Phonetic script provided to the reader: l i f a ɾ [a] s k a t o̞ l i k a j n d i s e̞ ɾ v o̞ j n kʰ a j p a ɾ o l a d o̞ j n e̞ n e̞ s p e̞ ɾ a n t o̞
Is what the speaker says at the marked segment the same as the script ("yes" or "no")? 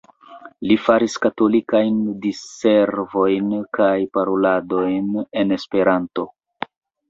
no